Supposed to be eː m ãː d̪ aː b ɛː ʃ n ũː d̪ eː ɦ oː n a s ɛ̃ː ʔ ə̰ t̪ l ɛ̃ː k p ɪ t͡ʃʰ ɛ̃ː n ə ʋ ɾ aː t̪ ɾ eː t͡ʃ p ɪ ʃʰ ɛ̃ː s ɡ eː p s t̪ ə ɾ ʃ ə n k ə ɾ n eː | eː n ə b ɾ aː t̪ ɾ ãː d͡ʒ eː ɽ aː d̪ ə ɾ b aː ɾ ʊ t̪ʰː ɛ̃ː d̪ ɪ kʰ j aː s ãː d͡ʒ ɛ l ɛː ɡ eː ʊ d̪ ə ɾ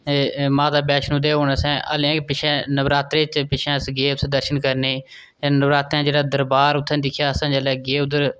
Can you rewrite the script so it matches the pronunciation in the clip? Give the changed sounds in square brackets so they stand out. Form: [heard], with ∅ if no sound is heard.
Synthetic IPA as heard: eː m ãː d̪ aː b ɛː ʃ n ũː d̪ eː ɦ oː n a s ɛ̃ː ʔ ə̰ [∅] l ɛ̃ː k p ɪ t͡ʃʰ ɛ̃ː n ə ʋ ɾ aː t̪ ɾ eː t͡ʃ p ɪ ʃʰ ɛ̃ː s ɡ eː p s [d̪] ə ɾ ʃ ə n k ə ɾ n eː | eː n ə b ɾ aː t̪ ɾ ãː d͡ʒ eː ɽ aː d̪ ə ɾ b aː ɾ ʊ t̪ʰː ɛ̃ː d̪ ɪ kʰ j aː s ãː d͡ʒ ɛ l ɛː ɡ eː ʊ d̪ ə ɾ